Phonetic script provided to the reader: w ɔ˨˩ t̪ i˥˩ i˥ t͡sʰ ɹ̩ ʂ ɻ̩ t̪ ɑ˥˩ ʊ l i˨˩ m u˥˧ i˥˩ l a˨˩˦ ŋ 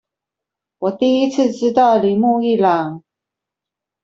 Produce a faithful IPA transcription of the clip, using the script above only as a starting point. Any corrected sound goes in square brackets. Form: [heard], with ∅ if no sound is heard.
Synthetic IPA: w ɔ˨˩ t̪ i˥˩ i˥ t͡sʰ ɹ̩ [ʈ͡ʂ] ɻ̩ t̪ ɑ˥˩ ʊ l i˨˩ m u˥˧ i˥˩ l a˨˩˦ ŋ